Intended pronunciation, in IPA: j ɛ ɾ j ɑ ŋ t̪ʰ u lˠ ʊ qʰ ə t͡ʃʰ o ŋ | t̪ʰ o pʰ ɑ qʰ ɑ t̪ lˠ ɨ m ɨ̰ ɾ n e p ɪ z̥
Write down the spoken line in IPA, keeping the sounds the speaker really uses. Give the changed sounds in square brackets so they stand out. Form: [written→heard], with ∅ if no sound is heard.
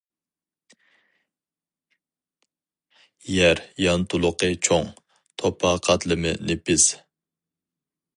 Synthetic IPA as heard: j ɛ ɾ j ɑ [ŋ→n] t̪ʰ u lˠ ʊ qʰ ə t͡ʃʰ o ŋ | t̪ʰ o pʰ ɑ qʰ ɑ t̪ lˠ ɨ m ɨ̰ [ɾ→∅] n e p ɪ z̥